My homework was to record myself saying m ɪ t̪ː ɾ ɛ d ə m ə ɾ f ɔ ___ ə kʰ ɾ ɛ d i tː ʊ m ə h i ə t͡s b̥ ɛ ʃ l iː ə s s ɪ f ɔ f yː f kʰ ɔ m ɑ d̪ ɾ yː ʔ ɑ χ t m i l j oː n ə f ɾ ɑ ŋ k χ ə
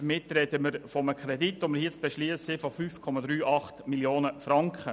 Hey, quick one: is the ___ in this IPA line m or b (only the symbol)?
m